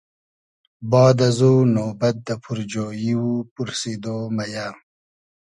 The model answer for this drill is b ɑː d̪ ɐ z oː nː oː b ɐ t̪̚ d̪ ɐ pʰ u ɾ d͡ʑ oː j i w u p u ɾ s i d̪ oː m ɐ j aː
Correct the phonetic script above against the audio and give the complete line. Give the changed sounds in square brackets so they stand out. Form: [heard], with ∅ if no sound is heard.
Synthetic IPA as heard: b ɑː d̪ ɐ z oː [n] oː b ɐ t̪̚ d̪ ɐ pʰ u ɾ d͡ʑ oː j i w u p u ɾ s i d̪ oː m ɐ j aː